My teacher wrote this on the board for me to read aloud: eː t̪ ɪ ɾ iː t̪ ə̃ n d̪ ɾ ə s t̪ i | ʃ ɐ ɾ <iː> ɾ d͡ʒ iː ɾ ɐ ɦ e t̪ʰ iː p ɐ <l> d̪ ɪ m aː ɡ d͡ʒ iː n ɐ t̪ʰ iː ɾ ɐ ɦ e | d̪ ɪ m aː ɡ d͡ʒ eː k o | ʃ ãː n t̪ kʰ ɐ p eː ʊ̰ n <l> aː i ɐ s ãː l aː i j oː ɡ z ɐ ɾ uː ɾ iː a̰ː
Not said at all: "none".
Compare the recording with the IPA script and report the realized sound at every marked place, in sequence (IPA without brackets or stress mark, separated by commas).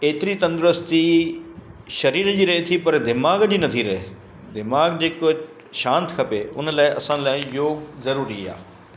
iː, ɾ, l